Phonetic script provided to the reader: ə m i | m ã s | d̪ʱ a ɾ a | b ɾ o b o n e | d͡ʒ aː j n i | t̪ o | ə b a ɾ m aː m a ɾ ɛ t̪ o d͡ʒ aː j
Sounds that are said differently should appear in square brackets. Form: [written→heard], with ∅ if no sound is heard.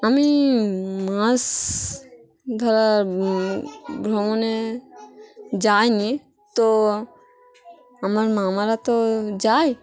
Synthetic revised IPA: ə m i | m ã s | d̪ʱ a ɾ a | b ɾ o [b→m] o n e | d͡ʒ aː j n i | t̪ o | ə [b→m] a ɾ m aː m a ɾ [ɛ→a] t̪ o d͡ʒ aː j

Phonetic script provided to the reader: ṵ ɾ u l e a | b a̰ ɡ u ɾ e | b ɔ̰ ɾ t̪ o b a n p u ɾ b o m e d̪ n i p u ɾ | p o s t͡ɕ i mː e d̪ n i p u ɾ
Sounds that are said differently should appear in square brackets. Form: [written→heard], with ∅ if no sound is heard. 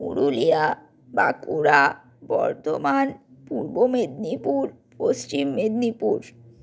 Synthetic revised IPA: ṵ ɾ u l [e→i] a | b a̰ [ɡ→k] u ɾ [e→a] | b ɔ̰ ɾ t̪ o [b→m] a n p u ɾ b o m e d̪ n i p u ɾ | p o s t͡ɕ i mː e d̪ n i p u ɾ

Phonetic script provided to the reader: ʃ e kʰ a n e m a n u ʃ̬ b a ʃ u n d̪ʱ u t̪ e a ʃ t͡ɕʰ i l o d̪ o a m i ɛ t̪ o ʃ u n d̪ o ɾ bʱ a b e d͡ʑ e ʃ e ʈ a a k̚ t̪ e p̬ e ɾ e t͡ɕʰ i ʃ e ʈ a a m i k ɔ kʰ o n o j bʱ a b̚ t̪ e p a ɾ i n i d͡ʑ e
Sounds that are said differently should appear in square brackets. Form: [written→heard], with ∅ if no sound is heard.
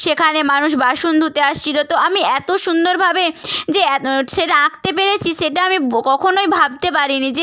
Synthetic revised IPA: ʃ e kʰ a n e m a n u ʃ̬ b a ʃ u n d̪ʱ u t̪ e a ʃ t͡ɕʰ i l o [d̪→t̪] o a m i ɛ t̪ o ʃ u n d̪ o ɾ bʱ a b e d͡ʑ e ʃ e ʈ a a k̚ t̪ e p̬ e ɾ e t͡ɕʰ i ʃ e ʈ a a m i k ɔ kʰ o n o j bʱ a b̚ t̪ e p a ɾ i n i d͡ʑ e

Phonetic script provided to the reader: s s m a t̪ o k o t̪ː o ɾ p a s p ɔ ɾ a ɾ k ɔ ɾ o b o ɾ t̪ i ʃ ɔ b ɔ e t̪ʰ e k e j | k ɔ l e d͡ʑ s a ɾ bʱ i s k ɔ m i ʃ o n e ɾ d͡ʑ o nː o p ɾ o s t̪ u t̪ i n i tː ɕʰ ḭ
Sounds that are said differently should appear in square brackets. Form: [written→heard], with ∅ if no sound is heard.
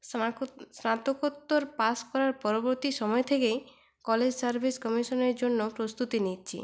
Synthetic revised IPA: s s [m→n] a t̪ o k o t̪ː o ɾ p a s [p→k] ɔ ɾ a ɾ [k→p] ɔ ɾ o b o ɾ t̪ i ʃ ɔ [b→m] ɔ e t̪ʰ e k e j | k ɔ l e d͡ʑ s a ɾ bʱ i s k ɔ m i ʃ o n e ɾ d͡ʑ o nː o p ɾ o s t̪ u t̪ i n i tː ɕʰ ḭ

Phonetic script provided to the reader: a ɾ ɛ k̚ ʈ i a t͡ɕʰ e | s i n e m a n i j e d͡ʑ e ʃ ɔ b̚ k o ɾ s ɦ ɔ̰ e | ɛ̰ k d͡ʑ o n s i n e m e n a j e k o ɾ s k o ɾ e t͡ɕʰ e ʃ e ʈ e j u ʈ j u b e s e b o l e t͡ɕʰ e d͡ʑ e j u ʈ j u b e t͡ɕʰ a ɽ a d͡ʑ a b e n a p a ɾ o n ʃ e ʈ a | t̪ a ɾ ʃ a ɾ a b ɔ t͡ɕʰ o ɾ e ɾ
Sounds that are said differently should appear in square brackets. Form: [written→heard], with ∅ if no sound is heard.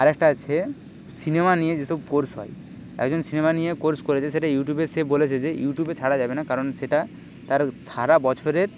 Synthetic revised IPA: a ɾ ɛ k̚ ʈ [i→a] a t͡ɕʰ e | s i n e m a n i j e d͡ʑ e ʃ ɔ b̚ k o ɾ s ɦ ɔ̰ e | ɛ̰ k d͡ʑ o n s i n e m [e→a] n [a→i] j e k o ɾ s k o ɾ e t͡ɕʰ e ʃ e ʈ [e→a] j u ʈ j u b e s e b o l e t͡ɕʰ e d͡ʑ e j u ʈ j u b e t͡ɕʰ a ɽ a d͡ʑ a b e n a [p→k] a ɾ o n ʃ e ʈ a | t̪ a ɾ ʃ a ɾ a b ɔ t͡ɕʰ o ɾ e ɾ

